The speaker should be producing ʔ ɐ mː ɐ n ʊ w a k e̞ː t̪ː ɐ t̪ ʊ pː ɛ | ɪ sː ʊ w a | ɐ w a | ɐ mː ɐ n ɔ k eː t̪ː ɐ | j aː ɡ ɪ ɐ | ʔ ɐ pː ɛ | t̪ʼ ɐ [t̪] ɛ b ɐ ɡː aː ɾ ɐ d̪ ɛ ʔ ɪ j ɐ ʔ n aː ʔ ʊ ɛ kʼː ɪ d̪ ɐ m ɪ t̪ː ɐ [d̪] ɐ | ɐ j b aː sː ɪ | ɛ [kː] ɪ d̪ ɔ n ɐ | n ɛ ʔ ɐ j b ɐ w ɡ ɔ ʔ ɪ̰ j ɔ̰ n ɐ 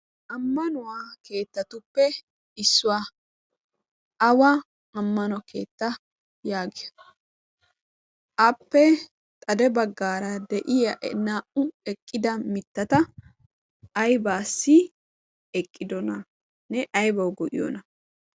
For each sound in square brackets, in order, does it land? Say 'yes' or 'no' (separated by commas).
no, no, no